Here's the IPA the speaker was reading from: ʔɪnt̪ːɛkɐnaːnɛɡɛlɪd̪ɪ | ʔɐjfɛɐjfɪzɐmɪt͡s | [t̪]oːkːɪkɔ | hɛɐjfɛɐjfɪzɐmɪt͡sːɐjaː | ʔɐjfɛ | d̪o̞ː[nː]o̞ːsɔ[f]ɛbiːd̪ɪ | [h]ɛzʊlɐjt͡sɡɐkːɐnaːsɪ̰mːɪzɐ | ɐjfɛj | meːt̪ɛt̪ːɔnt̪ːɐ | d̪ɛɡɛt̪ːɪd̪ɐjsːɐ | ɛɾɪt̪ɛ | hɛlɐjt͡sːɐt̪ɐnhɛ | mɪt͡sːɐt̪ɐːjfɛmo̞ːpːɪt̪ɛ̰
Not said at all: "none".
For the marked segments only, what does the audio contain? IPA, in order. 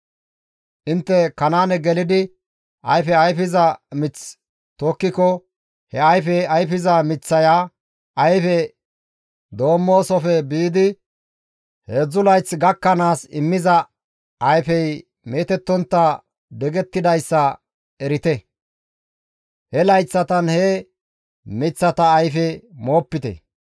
t̪, mː, f, h

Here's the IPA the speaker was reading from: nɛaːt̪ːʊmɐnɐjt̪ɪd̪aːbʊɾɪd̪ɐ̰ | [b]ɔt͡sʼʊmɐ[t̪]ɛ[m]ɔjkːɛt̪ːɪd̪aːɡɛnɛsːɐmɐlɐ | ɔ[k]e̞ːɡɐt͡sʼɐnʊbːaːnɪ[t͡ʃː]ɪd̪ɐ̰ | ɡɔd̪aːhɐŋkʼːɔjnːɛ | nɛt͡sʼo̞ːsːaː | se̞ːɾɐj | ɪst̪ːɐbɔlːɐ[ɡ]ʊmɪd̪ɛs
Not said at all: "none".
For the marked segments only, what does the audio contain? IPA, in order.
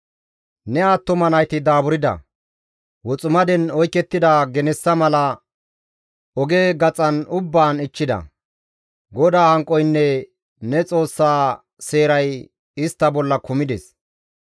w, d̪, n, ɡ, t͡ʃː, k

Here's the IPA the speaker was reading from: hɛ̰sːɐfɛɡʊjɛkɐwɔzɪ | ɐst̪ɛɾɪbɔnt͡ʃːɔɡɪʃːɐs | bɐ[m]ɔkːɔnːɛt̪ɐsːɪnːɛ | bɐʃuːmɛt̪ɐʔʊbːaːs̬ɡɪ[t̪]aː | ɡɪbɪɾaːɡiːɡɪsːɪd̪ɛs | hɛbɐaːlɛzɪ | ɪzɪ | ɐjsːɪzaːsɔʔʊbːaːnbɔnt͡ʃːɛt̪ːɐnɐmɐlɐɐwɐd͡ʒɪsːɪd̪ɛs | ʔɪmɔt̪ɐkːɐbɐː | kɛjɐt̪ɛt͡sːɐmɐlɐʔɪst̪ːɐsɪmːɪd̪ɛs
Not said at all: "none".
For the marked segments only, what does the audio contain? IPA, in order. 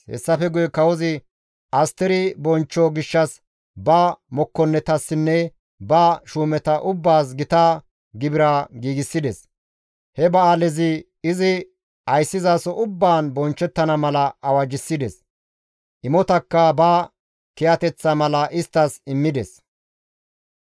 m, t̪

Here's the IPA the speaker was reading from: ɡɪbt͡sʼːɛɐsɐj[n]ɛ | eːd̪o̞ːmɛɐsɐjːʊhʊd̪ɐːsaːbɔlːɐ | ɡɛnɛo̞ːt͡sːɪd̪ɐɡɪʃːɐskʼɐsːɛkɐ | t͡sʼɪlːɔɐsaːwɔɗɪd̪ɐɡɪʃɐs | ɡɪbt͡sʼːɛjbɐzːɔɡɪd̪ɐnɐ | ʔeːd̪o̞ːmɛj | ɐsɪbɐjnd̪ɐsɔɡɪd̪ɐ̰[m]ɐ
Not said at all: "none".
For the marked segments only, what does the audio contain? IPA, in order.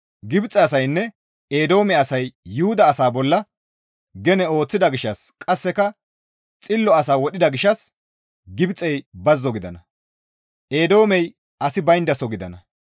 nː, n

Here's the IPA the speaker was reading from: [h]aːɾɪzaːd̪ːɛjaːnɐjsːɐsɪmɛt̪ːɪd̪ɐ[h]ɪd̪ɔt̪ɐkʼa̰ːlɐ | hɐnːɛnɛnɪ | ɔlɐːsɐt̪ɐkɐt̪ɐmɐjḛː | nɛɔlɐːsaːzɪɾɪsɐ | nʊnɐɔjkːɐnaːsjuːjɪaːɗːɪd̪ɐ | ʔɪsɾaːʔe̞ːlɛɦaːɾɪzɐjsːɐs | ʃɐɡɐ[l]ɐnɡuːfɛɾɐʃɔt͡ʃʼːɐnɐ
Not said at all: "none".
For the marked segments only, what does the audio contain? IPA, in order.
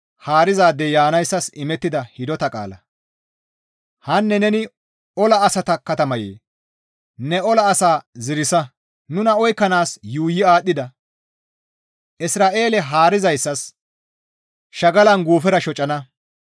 h, h, l

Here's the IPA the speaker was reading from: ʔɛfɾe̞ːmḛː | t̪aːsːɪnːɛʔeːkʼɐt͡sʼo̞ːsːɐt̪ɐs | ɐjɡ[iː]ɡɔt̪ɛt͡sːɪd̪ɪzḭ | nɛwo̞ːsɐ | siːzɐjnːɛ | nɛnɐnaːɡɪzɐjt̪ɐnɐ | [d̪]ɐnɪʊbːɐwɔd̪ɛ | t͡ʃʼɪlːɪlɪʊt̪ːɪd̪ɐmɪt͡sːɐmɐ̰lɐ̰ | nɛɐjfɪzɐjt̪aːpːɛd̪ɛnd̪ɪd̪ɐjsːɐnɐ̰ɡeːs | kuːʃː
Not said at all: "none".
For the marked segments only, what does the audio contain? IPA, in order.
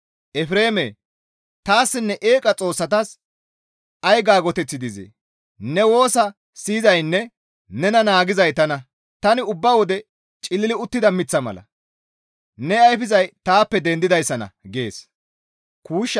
aː, t̪

